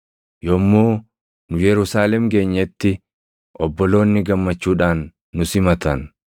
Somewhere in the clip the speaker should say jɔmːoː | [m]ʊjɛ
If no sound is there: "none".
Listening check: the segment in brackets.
n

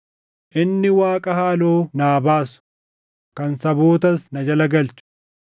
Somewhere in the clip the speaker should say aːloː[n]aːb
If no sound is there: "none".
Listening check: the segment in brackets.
n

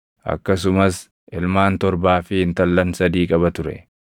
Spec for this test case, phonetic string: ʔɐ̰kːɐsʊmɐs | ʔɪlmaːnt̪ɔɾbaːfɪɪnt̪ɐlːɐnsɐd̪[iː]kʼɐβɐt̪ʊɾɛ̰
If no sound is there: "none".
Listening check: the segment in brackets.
iː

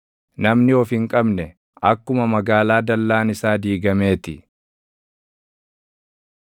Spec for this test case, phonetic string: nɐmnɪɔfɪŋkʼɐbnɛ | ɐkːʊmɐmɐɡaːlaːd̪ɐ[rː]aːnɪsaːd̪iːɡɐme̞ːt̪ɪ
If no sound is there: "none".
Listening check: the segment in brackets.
lː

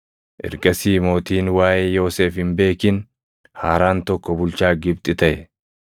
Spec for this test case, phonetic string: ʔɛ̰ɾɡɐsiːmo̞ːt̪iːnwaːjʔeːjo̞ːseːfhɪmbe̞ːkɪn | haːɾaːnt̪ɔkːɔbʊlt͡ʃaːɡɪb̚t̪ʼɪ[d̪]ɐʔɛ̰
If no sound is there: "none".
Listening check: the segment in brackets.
t̪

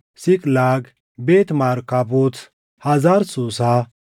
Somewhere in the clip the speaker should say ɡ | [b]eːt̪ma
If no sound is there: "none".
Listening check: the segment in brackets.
b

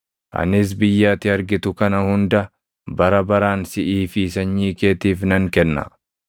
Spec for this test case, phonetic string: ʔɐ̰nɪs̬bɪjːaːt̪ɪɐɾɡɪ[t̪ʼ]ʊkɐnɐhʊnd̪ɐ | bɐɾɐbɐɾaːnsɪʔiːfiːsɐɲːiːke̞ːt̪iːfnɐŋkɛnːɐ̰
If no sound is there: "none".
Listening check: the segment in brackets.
t̪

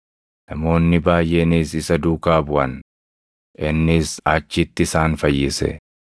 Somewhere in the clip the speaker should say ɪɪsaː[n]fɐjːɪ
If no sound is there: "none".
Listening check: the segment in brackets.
n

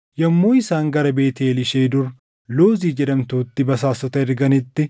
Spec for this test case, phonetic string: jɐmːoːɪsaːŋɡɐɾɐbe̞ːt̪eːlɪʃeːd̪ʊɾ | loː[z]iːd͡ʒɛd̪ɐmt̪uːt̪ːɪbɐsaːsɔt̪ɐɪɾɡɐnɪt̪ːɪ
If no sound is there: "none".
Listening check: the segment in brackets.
z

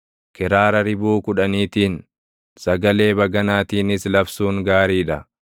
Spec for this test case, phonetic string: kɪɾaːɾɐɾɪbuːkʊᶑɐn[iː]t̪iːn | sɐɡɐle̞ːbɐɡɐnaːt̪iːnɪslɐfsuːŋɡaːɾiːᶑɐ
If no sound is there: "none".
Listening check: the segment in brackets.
iː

